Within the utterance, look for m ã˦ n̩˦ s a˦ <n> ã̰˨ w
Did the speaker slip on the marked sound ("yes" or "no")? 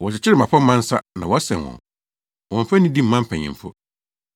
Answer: no